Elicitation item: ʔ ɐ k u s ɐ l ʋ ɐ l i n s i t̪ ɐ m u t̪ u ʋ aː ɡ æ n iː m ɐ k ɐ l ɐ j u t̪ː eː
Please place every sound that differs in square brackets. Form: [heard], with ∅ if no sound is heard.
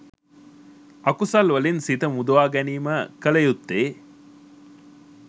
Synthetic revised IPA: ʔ ɐ k u s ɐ l ʋ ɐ l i n s i t̪ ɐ m u [d̪] u ʋ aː ɡ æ n iː m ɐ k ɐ l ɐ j u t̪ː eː